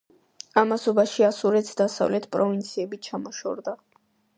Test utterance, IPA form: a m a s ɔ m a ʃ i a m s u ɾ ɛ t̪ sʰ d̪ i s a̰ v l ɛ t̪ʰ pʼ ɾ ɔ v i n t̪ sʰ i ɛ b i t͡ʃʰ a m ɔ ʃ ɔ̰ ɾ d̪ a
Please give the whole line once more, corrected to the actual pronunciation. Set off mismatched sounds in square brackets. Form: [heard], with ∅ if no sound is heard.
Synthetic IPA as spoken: a m a s ɔ [b] a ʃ i a [∅] s u ɾ ɛ t̪ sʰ d̪ [a] s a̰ v l ɛ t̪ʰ pʼ ɾ ɔ v i n t̪ sʰ i ɛ b i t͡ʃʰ a m ɔ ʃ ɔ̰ ɾ d̪ a